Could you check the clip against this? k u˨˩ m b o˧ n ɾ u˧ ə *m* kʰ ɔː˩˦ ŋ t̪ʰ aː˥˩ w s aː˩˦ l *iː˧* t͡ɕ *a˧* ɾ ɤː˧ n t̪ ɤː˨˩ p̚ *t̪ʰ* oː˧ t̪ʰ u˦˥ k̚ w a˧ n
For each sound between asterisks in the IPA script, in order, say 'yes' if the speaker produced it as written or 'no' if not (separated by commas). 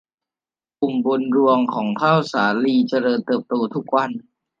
no, yes, yes, no